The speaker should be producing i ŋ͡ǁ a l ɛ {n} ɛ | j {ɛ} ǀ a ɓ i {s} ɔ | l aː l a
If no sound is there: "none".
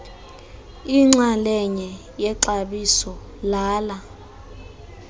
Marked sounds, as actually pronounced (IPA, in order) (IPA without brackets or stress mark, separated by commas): ɲ, ɛ, s